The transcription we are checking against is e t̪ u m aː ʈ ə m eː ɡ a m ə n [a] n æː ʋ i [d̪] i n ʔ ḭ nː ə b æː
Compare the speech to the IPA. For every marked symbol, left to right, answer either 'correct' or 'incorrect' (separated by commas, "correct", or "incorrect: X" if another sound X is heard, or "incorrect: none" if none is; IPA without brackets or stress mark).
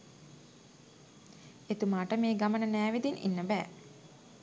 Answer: incorrect: ə, correct